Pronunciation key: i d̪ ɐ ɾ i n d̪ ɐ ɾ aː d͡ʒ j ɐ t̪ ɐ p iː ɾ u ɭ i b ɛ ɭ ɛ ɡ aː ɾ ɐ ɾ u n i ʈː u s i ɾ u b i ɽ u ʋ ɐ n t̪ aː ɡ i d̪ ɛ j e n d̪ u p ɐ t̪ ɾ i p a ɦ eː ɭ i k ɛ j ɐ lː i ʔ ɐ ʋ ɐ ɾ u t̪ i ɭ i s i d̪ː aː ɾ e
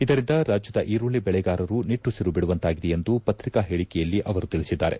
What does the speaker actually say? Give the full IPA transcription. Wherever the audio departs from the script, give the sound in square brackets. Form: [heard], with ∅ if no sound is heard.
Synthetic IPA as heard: i d̪ ɐ ɾ i n d̪ ɐ ɾ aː d͡ʒ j ɐ [d̪] ɐ [ʔ] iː ɾ u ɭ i b ɛ ɭ ɛ ɡ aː ɾ ɐ ɾ u n i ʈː u s i ɾ u b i ɽ u ʋ ɐ n t̪ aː ɡ i d̪ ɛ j e n d̪ u p ɐ t̪ ɾ i [k] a ɦ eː ɭ i k ɛ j ɐ lː i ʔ ɐ ʋ ɐ ɾ u t̪ i ɭ i s i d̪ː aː ɾ e